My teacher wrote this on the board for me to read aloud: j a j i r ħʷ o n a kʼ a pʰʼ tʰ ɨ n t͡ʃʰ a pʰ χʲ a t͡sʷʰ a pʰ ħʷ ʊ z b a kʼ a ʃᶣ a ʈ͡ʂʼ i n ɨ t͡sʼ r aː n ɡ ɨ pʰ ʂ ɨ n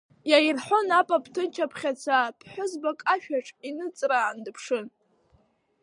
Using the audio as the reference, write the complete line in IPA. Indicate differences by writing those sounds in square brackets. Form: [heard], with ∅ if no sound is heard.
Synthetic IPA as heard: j a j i r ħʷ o n a [pʼ] a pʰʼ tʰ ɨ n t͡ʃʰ a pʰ χʲ a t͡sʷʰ a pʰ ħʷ ʊ z b a kʼ a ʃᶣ a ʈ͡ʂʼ i n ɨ t͡sʼ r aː n [d] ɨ pʰ ʂ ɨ n

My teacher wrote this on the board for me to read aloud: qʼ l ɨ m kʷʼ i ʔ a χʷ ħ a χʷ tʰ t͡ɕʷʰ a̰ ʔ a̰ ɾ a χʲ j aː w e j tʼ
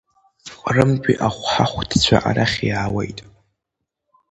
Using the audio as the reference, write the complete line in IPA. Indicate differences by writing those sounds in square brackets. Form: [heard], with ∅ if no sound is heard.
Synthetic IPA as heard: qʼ [r] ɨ m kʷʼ i ʔ a χʷ ħ a χʷ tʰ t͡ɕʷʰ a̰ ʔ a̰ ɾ a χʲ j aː w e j tʼ

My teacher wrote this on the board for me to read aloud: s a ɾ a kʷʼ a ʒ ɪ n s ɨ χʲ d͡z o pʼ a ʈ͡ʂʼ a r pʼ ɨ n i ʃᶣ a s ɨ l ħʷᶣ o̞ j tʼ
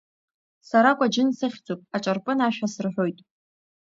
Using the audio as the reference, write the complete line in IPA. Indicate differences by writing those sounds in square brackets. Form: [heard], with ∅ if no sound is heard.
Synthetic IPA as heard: s a ɾ a kʷʼ a [d͡ʒ] ɪ n s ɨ χʲ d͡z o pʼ a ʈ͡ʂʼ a r pʼ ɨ n [a] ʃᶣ a s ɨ [r] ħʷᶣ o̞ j tʼ

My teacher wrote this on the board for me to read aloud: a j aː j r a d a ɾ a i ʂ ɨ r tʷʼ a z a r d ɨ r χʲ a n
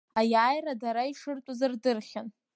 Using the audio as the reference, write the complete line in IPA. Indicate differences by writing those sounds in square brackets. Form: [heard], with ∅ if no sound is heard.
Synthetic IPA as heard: a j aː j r a d a ɾ a i ʂ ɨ r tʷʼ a z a r d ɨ r χʲ a n

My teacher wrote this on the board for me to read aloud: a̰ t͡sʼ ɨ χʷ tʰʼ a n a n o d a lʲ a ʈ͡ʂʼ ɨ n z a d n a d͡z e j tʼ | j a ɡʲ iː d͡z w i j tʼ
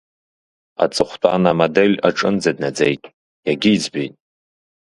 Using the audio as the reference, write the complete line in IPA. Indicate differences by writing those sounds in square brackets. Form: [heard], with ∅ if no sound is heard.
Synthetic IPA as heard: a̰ t͡sʼ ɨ χʷ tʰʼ a n a [m] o d [e] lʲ a ʈ͡ʂʼ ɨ n [d͡z] a d n a d͡z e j tʼ | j a ɡʲ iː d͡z [b] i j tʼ

